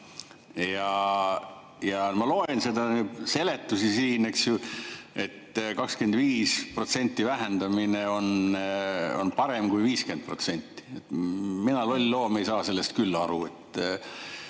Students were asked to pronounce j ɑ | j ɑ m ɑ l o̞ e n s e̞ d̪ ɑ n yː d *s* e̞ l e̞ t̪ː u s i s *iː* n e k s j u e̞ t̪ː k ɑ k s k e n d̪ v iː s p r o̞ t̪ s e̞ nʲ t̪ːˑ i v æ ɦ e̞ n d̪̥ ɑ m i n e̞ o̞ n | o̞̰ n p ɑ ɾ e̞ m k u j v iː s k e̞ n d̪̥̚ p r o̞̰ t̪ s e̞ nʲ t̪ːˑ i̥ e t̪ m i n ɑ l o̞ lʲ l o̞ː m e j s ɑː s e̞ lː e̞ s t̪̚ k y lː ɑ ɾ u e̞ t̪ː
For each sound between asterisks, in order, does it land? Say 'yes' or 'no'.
yes, yes

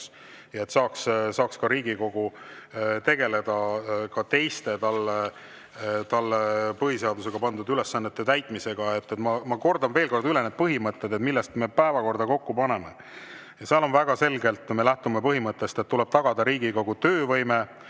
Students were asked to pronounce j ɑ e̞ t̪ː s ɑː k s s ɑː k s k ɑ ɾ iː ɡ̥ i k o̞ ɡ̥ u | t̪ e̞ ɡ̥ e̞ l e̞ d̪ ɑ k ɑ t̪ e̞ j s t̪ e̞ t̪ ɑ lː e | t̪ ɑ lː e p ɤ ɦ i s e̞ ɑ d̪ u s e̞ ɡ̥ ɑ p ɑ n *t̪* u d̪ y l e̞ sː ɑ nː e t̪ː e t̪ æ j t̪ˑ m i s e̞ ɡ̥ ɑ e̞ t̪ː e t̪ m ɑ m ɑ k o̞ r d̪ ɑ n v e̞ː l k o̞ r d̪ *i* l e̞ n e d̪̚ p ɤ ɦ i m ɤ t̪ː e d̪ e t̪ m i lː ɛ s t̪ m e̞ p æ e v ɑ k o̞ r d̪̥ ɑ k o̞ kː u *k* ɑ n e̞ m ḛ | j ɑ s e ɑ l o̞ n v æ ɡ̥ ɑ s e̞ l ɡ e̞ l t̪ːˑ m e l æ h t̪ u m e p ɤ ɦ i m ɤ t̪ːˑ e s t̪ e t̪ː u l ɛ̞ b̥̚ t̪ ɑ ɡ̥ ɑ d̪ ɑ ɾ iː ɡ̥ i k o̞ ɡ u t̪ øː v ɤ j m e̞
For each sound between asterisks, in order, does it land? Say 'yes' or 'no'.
no, no, no

